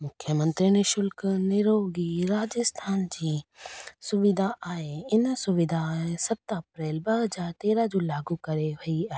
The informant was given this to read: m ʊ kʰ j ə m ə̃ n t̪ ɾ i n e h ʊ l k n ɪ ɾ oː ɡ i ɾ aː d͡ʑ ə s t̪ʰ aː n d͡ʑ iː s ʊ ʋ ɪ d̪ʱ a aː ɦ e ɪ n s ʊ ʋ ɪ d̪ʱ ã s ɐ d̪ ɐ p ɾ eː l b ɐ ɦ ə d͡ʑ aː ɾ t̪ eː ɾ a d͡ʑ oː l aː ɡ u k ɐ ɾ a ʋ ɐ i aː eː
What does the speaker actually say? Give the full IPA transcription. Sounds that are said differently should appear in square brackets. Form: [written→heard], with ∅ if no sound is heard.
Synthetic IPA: m ʊ kʰ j ə m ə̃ n t̪ ɾ i n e [h→ʃ] ʊ l k n ɪ ɾ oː ɡ i ɾ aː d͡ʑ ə s t̪ʰ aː n d͡ʑ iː s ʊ ʋ ɪ d̪ʱ a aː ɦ e ɪ n s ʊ ʋ ɪ d̪ʱ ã s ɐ [d̪→t̪] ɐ p ɾ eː l b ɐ ɦ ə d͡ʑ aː ɾ t̪ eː ɾ a d͡ʑ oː l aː ɡ u k ɐ ɾ [a→e] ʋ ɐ i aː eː